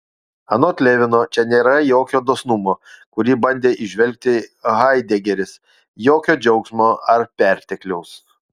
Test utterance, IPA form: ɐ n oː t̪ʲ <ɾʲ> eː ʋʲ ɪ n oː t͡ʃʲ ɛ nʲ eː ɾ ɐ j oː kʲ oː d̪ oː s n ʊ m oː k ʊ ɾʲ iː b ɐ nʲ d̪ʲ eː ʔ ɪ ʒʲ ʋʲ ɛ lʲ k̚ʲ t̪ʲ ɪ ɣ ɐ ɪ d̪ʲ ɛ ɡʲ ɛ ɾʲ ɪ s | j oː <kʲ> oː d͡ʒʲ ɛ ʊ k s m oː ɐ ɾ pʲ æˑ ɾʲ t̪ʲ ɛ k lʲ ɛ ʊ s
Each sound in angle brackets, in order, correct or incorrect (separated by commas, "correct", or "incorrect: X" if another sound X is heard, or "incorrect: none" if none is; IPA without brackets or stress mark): incorrect: lʲ, correct